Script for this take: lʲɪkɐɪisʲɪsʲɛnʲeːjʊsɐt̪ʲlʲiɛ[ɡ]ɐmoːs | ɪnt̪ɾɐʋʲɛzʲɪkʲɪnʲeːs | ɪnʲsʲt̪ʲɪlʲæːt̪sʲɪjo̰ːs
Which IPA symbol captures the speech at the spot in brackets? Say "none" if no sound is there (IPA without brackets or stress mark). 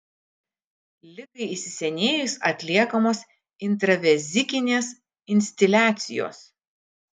k